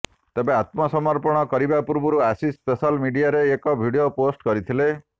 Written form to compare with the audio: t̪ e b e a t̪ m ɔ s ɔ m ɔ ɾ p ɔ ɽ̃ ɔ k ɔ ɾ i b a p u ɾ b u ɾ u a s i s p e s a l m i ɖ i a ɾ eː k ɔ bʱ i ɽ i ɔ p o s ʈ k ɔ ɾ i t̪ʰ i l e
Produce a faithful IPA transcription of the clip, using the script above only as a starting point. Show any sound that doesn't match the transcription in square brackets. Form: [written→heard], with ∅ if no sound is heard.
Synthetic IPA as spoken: t̪ e b e a t̪ m ɔ s ɔ m ɔ ɾ p ɔ ɽ̃ ɔ k ɔ ɾ i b a p u ɾ b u ɾ u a s i s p e s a l m i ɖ i a ɾ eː k ɔ bʱ i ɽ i [ɔ→o] p o s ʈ k ɔ ɾ i t̪ʰ i l e